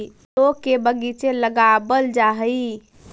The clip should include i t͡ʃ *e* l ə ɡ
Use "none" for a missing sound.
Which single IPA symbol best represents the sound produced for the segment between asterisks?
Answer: e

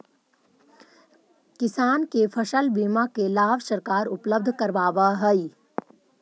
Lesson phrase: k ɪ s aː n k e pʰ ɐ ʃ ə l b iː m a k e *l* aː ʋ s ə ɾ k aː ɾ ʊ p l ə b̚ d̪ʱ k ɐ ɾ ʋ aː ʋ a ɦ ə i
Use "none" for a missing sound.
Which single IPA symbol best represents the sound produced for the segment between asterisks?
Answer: l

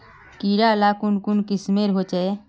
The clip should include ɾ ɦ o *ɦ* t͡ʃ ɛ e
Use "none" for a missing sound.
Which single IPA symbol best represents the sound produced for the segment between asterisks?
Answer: none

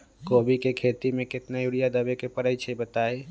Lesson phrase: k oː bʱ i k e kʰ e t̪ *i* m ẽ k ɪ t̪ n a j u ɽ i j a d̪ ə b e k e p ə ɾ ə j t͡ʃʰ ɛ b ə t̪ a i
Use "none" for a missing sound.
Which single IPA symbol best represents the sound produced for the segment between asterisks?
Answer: i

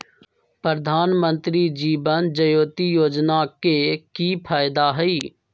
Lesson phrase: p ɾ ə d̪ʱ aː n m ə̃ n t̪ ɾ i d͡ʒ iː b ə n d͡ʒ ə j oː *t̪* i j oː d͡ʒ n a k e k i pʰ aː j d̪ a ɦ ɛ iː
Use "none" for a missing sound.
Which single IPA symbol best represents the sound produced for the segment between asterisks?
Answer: t̪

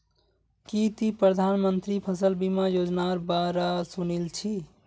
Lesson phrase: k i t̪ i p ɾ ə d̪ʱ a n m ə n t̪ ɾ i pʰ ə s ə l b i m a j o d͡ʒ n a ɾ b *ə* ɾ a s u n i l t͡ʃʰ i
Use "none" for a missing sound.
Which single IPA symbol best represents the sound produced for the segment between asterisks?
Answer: a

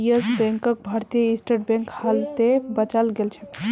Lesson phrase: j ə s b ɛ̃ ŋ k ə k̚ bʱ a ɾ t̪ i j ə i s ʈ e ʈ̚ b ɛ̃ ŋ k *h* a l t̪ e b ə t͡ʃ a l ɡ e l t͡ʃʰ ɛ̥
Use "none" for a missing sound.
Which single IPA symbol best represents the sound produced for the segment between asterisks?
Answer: h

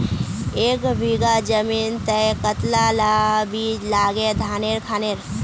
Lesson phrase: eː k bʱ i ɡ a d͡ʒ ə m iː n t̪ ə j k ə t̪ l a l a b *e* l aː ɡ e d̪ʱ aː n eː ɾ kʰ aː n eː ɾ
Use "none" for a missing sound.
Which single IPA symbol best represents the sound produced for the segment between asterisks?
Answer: i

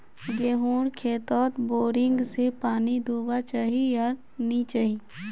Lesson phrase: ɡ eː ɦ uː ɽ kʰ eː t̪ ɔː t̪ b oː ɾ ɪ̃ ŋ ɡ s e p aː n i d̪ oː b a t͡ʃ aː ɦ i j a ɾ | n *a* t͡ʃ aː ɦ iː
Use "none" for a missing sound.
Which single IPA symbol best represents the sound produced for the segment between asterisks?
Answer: i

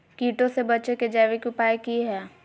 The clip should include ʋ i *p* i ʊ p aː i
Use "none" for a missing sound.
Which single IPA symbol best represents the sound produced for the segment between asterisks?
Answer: k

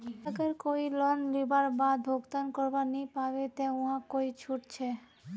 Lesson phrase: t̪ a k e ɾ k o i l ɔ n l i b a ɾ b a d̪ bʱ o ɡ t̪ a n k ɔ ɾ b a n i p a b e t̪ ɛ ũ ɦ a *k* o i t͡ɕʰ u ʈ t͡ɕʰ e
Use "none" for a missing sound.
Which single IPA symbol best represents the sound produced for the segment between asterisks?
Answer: k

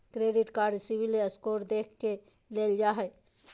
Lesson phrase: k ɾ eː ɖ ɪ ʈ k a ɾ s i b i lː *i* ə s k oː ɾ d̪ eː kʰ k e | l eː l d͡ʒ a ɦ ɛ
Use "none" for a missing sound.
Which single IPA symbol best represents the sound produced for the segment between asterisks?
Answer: e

